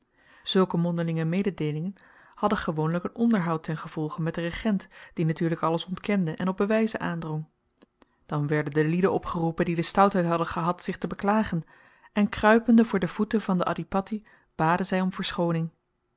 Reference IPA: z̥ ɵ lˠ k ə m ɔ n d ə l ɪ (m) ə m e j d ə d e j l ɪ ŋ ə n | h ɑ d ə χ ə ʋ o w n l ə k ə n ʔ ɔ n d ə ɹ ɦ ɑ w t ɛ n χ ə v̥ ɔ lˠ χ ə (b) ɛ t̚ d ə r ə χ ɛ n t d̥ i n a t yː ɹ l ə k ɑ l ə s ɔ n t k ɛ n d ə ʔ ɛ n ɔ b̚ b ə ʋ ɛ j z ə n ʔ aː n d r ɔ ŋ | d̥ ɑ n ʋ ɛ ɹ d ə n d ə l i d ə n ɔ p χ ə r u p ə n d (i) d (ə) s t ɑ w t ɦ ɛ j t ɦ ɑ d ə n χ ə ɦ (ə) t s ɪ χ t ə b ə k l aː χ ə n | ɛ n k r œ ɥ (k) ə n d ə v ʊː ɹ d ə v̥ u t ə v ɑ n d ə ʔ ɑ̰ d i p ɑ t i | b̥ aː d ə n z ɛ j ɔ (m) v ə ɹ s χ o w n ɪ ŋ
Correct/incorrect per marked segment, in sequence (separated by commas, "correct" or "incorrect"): incorrect, incorrect, correct, correct, incorrect, incorrect, correct